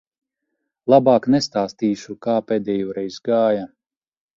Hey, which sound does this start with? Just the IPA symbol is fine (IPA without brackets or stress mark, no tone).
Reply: lˠ